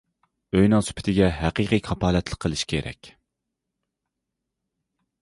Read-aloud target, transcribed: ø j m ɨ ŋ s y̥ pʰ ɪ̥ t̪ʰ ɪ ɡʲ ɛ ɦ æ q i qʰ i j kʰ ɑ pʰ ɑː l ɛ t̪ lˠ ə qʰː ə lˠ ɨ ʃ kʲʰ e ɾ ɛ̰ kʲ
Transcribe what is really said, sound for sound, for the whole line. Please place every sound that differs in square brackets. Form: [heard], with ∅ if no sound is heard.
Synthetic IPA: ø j [n] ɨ ŋ s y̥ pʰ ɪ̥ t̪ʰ ɪ ɡʲ ɛ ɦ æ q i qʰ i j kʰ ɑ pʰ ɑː l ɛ t̪ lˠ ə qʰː ə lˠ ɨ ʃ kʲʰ e ɾ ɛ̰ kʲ